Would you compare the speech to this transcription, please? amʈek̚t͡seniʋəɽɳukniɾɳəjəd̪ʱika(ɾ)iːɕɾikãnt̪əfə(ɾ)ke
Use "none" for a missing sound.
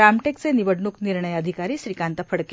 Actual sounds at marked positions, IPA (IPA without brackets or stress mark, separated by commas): ɾ, ɽ